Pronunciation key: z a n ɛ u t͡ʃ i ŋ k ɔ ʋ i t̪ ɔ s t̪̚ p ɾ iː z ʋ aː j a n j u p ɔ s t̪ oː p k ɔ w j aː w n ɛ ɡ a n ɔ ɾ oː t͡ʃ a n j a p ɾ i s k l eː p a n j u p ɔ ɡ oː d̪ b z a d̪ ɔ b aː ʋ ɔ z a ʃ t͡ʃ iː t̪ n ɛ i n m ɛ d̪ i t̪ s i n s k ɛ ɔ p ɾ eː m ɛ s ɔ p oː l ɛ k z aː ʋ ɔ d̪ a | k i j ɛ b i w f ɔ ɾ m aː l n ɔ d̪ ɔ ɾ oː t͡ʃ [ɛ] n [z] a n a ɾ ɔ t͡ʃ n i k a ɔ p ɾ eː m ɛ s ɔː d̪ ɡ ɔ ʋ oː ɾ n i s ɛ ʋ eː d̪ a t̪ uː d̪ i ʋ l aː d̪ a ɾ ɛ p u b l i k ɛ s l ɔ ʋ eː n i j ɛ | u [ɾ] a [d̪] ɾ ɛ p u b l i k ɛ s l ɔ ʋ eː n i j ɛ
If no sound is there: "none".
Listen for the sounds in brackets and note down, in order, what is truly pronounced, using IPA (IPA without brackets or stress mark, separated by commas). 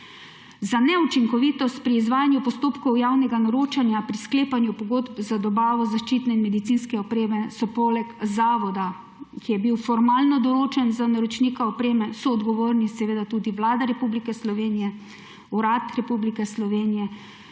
ɛ, z, ɾ, t̪